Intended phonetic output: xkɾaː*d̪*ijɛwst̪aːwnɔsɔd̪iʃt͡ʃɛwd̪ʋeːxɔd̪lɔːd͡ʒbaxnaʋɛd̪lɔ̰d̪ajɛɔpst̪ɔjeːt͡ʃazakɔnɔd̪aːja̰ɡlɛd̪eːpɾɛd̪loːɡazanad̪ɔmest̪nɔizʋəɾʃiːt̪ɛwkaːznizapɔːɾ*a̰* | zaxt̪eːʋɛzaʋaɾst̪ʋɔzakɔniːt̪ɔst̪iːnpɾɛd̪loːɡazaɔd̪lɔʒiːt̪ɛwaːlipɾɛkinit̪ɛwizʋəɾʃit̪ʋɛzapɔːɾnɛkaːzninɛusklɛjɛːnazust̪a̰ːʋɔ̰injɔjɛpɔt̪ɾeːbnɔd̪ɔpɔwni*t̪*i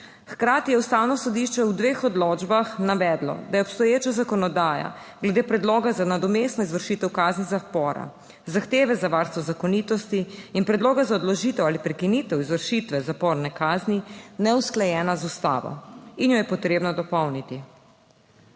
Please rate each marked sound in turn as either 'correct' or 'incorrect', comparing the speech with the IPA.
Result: incorrect, correct, correct

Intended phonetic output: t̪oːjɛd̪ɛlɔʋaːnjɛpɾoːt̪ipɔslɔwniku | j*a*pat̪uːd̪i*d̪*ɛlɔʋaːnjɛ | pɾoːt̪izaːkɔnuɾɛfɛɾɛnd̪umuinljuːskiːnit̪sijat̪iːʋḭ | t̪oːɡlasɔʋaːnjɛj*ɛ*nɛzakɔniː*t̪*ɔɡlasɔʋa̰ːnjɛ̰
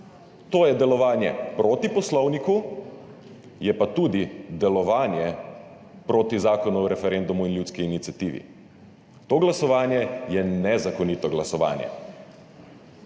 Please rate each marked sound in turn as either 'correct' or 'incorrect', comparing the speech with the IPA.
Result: incorrect, correct, correct, correct

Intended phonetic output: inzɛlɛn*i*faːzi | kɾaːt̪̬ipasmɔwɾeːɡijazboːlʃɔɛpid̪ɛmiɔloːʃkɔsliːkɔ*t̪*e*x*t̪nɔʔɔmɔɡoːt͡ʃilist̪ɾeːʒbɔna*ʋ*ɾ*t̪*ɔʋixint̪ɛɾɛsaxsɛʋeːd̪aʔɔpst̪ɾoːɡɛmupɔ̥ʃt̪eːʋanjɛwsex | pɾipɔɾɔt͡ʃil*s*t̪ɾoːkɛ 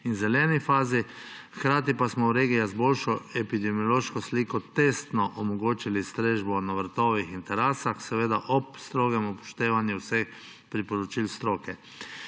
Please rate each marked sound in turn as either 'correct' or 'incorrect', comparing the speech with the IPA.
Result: correct, correct, incorrect, correct, correct, correct

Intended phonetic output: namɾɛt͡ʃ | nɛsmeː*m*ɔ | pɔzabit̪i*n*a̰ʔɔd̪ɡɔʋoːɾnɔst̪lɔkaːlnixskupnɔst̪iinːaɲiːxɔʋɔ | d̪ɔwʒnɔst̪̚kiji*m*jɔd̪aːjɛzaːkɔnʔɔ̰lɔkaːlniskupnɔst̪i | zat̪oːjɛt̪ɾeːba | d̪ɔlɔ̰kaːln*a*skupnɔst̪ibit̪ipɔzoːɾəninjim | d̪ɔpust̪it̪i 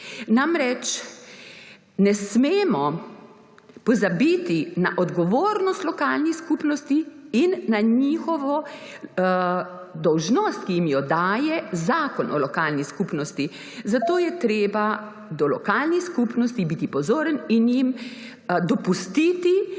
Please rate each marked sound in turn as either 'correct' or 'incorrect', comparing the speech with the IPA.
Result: correct, correct, correct, incorrect

